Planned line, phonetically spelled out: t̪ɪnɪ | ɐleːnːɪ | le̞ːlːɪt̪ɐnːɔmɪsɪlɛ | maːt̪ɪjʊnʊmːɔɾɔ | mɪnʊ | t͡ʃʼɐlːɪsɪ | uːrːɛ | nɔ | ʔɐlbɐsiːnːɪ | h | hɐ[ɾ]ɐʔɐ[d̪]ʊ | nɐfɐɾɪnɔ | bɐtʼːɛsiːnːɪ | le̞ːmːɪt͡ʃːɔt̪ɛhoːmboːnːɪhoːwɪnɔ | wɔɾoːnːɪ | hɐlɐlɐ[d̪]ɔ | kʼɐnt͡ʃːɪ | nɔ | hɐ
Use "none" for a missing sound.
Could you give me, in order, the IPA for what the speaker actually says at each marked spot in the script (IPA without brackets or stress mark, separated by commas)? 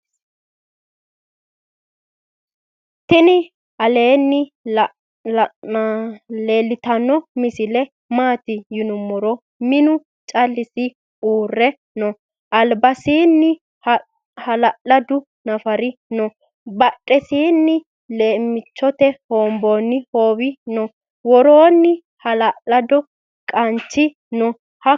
l, d̪, d̪